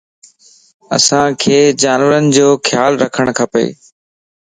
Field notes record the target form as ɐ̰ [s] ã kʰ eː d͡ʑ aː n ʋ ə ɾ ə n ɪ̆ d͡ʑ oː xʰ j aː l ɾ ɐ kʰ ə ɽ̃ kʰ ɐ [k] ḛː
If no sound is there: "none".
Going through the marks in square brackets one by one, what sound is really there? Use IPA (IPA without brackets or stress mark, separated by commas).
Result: s, p